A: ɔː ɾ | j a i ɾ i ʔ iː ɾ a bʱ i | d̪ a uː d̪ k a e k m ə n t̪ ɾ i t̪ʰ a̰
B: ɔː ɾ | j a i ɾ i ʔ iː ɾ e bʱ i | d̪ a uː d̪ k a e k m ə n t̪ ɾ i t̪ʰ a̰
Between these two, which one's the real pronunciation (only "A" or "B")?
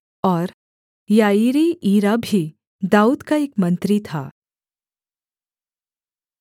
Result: A